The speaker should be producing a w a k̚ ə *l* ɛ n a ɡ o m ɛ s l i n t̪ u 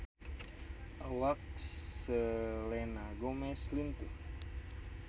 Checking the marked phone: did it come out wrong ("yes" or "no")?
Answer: no